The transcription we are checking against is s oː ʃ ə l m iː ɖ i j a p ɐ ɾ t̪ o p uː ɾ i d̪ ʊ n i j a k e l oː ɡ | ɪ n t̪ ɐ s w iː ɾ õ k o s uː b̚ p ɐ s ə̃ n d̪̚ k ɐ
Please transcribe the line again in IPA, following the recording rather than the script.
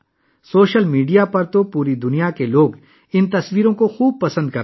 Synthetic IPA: s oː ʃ ə l m iː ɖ i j a p ɐ ɾ t̪ o p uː ɾ i d̪ ʊ n i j a k e l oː ɡ | ɪ n t̪ ɐ s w iː ɾ õ k o x uː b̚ p ɐ s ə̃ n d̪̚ k ɐ